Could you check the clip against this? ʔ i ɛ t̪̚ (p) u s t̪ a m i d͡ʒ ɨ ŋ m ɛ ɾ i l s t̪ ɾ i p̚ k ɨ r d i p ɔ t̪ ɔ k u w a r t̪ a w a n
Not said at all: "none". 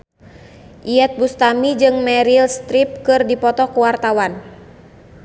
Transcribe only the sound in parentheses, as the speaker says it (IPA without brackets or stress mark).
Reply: b